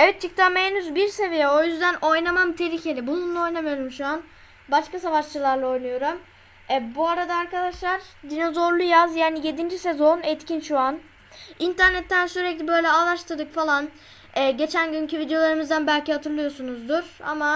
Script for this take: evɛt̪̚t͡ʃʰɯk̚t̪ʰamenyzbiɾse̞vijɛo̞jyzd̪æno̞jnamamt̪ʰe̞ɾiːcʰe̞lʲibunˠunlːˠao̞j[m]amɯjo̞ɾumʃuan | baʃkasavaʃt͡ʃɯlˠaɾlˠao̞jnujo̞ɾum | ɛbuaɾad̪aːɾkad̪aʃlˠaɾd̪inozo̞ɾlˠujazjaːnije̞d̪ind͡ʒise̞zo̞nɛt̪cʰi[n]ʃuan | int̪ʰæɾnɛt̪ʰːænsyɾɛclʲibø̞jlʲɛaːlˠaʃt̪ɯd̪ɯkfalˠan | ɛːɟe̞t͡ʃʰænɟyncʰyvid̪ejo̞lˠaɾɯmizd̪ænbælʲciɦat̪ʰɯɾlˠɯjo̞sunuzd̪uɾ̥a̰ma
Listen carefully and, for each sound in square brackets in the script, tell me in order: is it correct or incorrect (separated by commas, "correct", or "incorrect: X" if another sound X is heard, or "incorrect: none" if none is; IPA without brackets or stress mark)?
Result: incorrect: n, correct